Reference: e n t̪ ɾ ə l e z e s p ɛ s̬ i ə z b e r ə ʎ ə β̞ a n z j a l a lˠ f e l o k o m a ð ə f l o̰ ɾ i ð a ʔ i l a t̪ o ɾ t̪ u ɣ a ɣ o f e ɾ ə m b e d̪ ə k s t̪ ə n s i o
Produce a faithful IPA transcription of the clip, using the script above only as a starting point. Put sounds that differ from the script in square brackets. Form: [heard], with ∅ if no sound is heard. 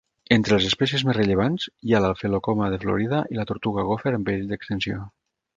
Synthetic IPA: e n t̪ ɾ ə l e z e s p ɛ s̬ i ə z [m] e r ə ʎ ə β̞ a n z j a l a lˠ f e l o k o m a ð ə f l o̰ ɾ i ð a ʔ i l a t̪ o ɾ t̪ u ɣ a ɣ o f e ɾ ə m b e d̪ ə k s t̪ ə n s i o